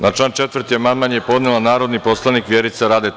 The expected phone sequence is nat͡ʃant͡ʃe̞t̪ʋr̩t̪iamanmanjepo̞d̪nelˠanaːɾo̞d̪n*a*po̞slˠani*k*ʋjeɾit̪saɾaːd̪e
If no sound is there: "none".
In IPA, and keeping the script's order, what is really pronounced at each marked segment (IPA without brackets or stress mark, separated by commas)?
i, k